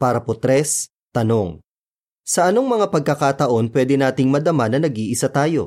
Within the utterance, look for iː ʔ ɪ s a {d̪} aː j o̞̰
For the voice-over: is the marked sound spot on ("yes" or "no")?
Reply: no